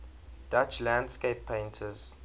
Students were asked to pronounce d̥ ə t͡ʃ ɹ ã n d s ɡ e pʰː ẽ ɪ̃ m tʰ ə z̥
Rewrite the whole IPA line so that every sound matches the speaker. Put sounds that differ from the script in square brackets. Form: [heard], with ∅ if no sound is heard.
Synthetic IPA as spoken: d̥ [a] t͡ʃ [l] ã n d s [k] e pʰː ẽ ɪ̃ [n] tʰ ə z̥